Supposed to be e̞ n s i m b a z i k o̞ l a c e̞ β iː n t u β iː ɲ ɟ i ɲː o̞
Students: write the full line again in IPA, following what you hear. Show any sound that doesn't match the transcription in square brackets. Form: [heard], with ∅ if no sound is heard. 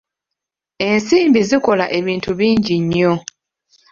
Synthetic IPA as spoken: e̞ n s [iː] m b [i] z i k o̞ l a [ʔ] e̞ β iː n t u β iː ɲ ɟ i ɲː o̞